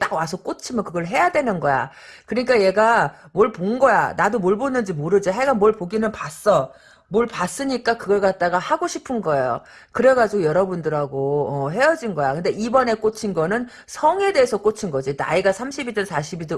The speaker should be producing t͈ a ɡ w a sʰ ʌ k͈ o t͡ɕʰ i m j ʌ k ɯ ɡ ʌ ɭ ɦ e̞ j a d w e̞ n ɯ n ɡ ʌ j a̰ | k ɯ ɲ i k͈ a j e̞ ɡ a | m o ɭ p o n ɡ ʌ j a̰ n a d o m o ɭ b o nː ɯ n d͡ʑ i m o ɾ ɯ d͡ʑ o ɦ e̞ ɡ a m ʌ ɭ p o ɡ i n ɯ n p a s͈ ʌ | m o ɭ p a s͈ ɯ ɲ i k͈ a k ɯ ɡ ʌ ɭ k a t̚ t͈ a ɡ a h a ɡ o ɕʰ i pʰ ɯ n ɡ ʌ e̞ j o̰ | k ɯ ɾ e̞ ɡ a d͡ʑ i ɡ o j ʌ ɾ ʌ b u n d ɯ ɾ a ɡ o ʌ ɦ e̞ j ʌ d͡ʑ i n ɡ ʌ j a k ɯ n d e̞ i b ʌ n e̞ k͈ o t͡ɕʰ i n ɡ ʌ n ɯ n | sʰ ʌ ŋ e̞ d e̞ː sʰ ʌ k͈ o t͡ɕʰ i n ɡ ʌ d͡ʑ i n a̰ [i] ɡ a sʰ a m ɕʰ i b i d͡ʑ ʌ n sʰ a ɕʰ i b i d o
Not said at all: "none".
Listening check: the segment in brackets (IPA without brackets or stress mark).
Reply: i